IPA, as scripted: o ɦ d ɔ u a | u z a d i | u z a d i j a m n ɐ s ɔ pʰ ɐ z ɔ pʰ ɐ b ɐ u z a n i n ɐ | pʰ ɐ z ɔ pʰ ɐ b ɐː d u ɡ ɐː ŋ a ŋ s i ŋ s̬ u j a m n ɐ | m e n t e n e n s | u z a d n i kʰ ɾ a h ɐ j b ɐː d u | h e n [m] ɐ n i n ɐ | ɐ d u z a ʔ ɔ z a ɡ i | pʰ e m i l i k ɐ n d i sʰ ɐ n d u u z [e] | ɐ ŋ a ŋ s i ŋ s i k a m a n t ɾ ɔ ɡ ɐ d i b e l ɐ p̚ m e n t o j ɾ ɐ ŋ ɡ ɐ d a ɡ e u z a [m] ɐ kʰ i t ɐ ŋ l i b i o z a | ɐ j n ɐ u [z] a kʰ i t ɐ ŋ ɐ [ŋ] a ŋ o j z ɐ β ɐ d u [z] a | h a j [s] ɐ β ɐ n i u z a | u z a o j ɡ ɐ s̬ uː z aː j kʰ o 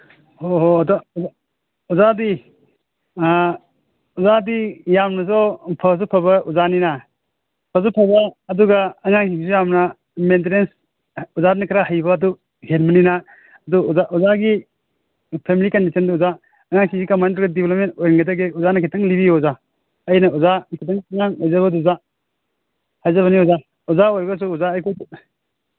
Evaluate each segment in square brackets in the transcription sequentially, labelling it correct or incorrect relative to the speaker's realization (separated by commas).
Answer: correct, incorrect, incorrect, correct, correct, correct, incorrect